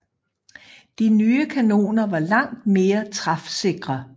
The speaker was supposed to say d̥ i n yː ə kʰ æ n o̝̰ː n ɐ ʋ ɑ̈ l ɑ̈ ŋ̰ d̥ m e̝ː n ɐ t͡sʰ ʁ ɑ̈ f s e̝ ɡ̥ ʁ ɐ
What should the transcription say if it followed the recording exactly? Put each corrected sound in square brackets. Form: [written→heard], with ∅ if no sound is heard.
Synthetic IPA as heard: d̥ i n yː ə kʰ æ n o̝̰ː n ɐ ʋ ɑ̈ l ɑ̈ ŋ̰ d̥ m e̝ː [n→∅] ɐ t͡sʰ ʁ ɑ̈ f s e̝ ɡ̥ ʁ ɐ